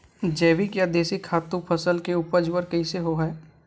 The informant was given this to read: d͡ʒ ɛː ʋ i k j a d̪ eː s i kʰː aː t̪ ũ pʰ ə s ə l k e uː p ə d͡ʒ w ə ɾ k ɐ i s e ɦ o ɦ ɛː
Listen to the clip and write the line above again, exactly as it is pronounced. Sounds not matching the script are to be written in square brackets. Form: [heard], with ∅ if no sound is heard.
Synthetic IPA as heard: d͡ʒ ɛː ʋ i k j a d̪ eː s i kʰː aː t̪ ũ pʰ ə s ə l k e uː p ə d͡ʒ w ə ɾ k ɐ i s e ɦ o ɦ ɛː

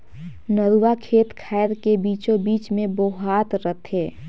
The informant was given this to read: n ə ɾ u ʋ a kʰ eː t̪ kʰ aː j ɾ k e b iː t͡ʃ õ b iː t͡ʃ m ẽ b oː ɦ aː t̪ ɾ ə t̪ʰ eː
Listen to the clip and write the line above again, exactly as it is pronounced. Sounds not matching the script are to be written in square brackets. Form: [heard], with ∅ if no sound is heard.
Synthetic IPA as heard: n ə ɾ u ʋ a kʰ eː t̪ kʰ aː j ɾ k e b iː t͡ʃ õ b iː t͡ʃ m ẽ b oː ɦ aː t̪ ɾ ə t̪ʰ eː

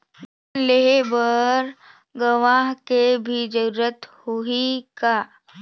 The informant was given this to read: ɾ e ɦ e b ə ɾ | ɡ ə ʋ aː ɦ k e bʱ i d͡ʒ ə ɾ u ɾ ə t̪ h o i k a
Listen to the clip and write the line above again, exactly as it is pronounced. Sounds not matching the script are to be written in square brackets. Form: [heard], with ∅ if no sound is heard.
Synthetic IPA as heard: [l] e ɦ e b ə ɾ | ɡ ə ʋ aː ɦ k e bʱ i d͡ʒ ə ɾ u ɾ ə t̪ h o i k a

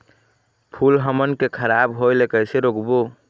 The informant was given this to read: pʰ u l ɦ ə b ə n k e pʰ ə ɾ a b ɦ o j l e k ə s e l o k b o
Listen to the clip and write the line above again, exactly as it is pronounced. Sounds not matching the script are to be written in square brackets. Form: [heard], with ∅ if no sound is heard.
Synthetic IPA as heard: pʰ u l ɦ ə [m] ə n k e [kʰ] ə ɾ a b ɦ o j l e k ə s e [ɾ] o k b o

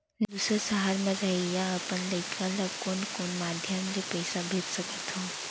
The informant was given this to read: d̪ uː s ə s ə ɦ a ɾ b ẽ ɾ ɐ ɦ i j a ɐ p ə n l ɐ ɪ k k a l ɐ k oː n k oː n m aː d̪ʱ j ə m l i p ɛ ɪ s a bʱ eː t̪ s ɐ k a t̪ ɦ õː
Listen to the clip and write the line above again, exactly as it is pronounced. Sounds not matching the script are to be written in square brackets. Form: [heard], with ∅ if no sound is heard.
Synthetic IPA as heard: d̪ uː s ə s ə ɦ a ɾ [m] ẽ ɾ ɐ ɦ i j a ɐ p ə n l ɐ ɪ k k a l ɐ k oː n k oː n m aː d̪ʱ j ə m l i p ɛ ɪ s a bʱ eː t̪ s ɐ k [ə] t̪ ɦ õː

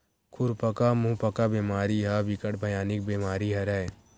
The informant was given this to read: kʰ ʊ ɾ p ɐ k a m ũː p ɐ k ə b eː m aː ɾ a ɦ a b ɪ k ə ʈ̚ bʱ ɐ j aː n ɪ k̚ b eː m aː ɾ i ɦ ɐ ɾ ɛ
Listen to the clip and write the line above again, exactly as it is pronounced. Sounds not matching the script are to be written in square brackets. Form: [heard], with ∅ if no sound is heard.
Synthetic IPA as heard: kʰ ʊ ɾ p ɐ k a m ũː p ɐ k [a] b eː m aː ɾ [i] ɦ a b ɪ k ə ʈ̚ bʱ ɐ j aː n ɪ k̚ b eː m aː ɾ i ɦ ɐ ɾ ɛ

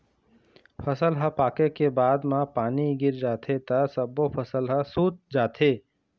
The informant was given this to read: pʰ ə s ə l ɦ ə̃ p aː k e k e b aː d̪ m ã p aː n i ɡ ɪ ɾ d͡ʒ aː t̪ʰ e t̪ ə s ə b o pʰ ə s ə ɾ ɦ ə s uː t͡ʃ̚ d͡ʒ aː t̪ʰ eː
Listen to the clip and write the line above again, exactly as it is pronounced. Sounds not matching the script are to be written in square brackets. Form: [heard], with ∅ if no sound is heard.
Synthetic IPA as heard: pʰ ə s ə l ɦ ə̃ p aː k e k e b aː d̪ m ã p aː n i ɡ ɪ ɾ d͡ʒ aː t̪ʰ e t̪ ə s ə b o pʰ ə s ə [l] ɦ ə s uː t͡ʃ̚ d͡ʒ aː t̪ʰ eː

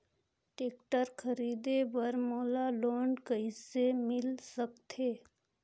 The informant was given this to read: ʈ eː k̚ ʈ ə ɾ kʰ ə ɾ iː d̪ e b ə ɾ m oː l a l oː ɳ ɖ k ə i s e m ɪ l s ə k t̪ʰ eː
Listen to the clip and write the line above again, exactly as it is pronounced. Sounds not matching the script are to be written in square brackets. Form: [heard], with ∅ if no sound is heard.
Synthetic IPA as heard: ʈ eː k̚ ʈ ə ɾ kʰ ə ɾ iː d̪ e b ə ɾ m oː l a l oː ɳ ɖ k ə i s e m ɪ l s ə k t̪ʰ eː

